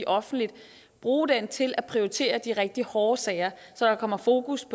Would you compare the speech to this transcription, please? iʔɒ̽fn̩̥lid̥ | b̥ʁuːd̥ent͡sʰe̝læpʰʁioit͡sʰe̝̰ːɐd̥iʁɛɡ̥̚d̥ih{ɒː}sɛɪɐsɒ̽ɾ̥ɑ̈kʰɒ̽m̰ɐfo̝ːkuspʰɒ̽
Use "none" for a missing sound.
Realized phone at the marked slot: ɒː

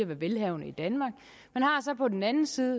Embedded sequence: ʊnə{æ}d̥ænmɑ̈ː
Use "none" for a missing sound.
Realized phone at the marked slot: i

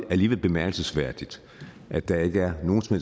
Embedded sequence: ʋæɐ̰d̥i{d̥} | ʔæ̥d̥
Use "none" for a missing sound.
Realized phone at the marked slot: d̥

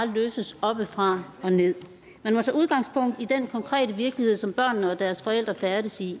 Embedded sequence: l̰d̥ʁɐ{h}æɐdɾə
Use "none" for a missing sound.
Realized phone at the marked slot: f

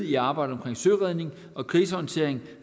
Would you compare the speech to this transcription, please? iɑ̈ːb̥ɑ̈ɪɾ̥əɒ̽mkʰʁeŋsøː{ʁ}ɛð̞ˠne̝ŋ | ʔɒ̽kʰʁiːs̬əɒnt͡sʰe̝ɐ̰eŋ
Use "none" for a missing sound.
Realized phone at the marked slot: ʁ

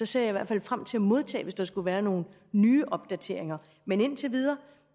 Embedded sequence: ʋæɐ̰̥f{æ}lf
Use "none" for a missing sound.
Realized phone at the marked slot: æ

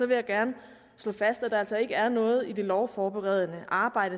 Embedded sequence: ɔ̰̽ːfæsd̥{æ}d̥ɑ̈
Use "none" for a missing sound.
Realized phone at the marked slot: æ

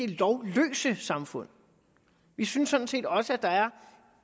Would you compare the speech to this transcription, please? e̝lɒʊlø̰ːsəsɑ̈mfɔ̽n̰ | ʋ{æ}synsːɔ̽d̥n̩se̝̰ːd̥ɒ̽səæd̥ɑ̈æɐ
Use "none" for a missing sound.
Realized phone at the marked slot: i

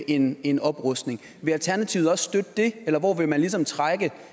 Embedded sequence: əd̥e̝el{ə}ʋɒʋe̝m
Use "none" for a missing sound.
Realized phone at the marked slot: ɐ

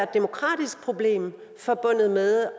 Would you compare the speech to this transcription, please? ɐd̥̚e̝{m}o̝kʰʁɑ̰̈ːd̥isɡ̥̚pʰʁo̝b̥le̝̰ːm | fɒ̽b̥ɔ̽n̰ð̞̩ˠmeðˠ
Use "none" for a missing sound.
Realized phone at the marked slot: m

